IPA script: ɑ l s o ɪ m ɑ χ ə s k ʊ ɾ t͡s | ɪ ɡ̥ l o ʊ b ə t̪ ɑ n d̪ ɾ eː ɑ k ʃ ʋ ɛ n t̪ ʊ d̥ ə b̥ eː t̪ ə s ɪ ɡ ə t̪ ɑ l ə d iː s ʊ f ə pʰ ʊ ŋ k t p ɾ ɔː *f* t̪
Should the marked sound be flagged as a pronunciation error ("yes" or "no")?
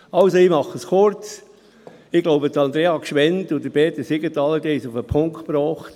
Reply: yes